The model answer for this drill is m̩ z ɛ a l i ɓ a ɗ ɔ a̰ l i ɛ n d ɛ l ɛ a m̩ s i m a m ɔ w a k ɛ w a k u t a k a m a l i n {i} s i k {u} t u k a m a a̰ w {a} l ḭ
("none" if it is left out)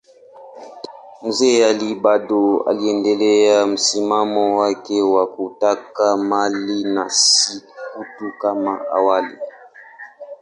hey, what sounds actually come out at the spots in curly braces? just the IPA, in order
a, u, a

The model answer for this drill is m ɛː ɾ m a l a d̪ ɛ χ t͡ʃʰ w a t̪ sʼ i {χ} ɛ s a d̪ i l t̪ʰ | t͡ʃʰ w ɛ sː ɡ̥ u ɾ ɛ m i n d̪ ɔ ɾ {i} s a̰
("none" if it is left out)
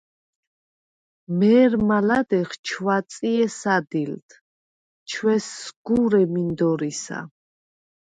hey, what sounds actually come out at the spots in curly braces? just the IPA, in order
none, i

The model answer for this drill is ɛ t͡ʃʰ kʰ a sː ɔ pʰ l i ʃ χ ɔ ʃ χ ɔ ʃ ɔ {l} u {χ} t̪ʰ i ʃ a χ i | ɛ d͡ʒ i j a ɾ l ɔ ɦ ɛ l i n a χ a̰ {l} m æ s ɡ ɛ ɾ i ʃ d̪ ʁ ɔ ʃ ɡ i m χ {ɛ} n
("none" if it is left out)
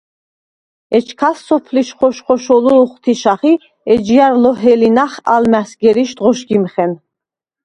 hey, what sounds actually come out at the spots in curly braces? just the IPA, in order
l, χ, l, ɛ

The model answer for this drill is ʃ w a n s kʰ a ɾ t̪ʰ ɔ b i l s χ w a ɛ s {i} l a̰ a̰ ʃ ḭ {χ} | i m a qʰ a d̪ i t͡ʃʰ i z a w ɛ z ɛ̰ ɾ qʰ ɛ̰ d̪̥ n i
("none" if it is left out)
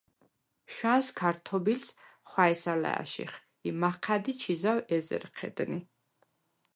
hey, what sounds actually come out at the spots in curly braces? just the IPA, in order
a, χ

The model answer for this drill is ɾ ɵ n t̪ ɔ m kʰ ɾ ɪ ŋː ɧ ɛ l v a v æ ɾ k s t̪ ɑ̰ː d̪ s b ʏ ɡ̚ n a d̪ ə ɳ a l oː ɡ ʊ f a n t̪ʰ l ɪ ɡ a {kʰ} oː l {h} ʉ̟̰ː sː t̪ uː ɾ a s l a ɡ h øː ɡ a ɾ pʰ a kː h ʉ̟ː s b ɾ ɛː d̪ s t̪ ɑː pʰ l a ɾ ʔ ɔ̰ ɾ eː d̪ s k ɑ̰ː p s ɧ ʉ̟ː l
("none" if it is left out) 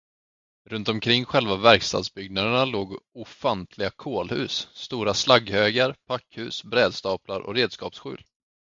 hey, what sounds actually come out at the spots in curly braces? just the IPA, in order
kʰ, h

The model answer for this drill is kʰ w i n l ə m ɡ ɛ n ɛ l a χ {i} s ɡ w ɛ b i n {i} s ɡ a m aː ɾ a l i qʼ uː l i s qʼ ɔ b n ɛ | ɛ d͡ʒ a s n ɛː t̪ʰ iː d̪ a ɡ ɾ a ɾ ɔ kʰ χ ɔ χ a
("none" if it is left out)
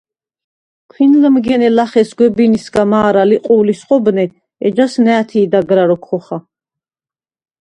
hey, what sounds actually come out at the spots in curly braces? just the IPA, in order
ɛ, i

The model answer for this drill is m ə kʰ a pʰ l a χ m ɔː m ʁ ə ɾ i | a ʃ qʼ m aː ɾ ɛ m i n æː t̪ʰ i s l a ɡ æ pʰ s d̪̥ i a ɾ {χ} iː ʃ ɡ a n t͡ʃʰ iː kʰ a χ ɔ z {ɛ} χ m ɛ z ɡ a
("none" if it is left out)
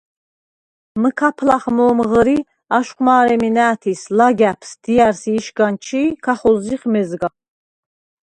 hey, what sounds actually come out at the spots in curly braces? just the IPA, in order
s, i

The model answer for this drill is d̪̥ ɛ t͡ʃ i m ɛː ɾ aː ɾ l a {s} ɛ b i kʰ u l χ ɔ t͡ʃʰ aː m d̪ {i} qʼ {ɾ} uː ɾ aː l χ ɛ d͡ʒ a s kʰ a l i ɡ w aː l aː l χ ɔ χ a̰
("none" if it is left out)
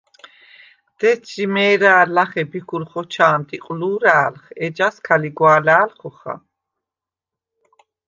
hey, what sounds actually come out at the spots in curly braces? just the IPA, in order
χ, i, l

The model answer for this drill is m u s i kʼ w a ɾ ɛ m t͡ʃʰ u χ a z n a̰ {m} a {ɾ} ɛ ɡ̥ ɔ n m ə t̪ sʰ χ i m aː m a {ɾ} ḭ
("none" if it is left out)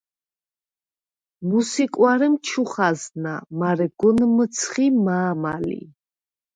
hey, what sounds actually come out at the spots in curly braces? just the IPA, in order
m, ɾ, l

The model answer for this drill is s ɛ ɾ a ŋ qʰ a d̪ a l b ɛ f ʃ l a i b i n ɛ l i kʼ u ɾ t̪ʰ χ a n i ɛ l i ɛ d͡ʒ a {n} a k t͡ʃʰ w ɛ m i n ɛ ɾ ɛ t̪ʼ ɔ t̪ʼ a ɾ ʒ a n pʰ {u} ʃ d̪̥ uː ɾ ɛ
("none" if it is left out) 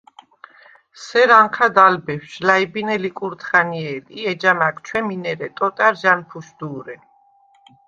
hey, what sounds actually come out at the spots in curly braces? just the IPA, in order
m, u

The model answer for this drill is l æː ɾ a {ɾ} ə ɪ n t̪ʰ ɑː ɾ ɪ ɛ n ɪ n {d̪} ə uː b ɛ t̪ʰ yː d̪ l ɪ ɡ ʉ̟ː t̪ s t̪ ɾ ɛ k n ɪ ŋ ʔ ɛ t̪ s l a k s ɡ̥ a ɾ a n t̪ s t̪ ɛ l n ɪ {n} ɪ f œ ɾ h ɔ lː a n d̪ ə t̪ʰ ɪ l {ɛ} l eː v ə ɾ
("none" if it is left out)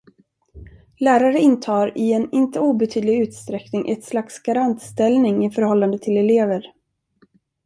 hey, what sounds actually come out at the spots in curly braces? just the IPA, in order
ɾ, t̪, ŋ, ɛ

